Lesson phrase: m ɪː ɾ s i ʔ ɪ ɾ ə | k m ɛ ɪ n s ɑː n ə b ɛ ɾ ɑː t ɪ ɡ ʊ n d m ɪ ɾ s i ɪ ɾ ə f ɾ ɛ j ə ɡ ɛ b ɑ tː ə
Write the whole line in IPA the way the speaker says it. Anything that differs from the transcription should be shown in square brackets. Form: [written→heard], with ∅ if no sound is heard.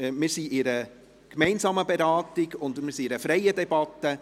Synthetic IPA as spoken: m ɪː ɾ s i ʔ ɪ ɾ ə | k m ɛ ɪ n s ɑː [n→m] ə b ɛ ɾ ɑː t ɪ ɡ ʊ n d m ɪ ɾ s i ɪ ɾ ə f ɾ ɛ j ə [ɡ→d] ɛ b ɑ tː ə

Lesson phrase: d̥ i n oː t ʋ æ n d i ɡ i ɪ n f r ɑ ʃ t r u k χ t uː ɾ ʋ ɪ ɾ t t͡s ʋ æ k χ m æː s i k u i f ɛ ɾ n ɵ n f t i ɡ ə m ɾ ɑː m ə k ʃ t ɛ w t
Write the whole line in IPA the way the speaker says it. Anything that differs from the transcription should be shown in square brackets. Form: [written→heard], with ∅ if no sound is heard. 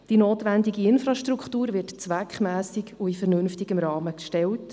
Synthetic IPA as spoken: d̥ i n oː t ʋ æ n d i ɡ i ɪ n f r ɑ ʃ t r u k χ t uː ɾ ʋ ɪ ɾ t t͡s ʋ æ k χ m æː s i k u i f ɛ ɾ n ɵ n f t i ɡ ə m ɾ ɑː m ə k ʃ t ɛ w t

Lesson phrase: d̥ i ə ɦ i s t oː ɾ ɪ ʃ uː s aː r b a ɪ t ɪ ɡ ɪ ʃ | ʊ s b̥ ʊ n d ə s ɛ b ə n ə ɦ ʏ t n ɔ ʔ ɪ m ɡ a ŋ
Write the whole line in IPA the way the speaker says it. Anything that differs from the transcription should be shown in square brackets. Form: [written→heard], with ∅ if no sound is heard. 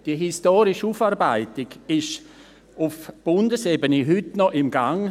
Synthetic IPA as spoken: d̥ i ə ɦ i s t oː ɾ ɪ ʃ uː [s→f] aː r b a ɪ t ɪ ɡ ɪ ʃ | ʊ [s→f] b̥ ʊ n d ə s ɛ b ə n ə ɦ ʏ t n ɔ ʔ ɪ m ɡ a ŋ

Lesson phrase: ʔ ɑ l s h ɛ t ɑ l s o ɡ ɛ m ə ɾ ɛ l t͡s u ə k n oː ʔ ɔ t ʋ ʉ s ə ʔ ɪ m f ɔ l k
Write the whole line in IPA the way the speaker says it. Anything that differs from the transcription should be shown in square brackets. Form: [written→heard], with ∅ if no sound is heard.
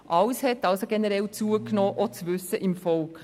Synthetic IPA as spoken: ʔ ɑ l s h ɛ t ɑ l s o ɡ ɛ [m→n] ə ɾ ɛ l t͡s u ə k n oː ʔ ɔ [t→t͡s] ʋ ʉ s ə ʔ ɪ m f ɔ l k

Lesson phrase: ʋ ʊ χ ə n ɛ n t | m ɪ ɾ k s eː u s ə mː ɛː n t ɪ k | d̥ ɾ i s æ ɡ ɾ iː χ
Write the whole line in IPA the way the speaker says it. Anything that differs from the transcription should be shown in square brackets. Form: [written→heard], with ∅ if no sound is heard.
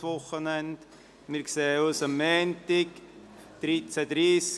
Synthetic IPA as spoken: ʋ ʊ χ ə n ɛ n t | m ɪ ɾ k s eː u s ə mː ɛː n t ɪ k | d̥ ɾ i [s→t͡s] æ [ɡ→d] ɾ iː [χ→s]

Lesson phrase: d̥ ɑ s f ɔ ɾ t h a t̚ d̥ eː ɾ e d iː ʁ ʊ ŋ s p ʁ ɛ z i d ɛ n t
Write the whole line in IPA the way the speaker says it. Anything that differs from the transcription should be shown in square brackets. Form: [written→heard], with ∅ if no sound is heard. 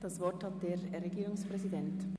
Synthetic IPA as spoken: d̥ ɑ s [f→v] ɔ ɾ t h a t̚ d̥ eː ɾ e [d→ɡ] iː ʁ ʊ ŋ s p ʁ ɛ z i d ɛ n t

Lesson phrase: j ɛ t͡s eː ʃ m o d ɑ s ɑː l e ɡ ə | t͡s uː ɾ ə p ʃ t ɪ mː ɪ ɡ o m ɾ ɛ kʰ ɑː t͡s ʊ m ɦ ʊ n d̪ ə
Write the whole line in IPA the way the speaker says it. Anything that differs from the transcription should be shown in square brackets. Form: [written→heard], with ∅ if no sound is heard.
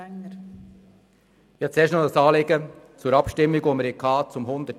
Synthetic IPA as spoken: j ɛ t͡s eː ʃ [m→n] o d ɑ s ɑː l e ɡ ə | t͡s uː ɾ [ə→ɑ] p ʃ t ɪ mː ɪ ɡ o m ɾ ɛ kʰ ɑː t͡s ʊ m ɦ ʊ n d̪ ə

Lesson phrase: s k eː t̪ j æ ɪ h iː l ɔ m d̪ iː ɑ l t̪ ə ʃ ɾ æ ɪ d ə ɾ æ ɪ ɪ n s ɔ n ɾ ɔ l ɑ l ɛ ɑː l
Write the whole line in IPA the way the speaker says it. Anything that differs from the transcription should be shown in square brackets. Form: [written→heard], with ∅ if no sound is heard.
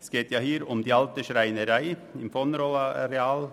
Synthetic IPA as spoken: s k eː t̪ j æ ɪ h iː [l→ɾ] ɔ m d̪ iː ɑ l t̪ ə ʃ ɾ æ ɪ [d→n] ə ɾ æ ɪ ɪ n [s→f] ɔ n ɾ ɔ l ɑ [l→ɾ] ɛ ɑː l

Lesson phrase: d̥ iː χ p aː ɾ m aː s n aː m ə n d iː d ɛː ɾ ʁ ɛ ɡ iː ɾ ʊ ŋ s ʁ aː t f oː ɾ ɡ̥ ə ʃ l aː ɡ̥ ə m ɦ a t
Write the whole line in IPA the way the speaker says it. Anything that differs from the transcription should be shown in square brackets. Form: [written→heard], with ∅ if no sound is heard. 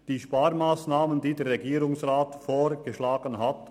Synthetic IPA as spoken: d̥ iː [χ→ʃ] p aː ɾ m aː s n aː m ə n d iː d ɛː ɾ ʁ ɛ ɡ iː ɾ ʊ ŋ s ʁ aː t f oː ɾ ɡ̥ ə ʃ l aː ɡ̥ ə [m→n] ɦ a t

